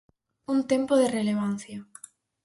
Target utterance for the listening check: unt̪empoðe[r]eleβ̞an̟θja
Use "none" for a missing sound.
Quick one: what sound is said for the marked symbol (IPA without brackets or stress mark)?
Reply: r